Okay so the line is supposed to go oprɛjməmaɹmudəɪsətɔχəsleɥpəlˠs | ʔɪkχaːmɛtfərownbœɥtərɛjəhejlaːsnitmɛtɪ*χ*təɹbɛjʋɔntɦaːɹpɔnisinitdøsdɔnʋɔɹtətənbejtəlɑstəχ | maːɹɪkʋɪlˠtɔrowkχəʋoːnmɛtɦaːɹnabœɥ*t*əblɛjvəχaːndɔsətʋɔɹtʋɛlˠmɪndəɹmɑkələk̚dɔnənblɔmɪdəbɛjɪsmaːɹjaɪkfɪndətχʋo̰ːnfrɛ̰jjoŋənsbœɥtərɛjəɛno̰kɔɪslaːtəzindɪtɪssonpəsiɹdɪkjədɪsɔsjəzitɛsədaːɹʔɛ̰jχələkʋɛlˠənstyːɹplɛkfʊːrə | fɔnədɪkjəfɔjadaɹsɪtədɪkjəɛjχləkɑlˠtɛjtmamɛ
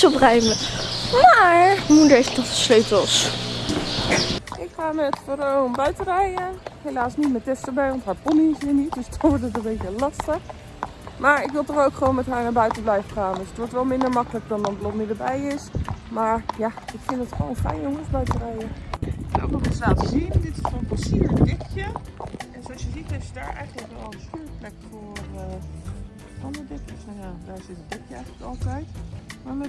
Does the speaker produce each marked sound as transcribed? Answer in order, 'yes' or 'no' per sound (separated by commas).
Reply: no, yes